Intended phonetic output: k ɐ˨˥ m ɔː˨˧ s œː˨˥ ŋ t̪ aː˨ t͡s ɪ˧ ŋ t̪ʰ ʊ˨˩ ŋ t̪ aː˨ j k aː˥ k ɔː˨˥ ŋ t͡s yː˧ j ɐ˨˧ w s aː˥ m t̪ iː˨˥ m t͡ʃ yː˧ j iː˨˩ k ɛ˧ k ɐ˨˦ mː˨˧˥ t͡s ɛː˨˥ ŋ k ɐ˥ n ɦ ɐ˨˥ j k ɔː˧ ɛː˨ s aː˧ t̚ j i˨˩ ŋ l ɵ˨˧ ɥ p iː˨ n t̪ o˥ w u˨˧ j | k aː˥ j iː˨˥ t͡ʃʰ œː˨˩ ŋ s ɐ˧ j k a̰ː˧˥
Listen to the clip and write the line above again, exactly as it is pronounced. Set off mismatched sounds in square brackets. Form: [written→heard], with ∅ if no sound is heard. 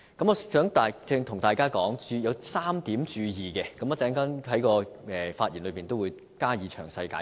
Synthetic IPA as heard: k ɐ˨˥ m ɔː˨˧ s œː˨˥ ŋ t̪ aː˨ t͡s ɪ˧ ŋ t̪ʰ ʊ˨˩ ŋ t̪ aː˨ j k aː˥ k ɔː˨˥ ŋ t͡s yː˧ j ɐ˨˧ w s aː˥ m t̪ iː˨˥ m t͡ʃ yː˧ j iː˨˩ k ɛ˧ k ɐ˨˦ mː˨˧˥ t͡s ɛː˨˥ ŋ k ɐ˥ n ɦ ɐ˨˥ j k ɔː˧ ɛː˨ [s→f] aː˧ t̚ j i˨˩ [ŋ→n] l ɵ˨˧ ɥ p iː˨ n t̪ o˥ w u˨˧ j | k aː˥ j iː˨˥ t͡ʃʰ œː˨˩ ŋ s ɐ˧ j k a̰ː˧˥